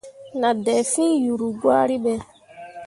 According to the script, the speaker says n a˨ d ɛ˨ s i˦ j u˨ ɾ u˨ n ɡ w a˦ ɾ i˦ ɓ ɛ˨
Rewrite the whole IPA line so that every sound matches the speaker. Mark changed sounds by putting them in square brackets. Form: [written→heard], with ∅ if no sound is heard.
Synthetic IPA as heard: n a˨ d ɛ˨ [s→f] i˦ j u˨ ɾ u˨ [n→∅] ɡ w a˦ ɾ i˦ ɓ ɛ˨